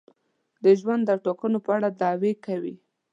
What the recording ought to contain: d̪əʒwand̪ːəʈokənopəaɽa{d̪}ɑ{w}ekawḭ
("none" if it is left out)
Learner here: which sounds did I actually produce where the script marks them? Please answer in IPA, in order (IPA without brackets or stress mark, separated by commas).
d̪, w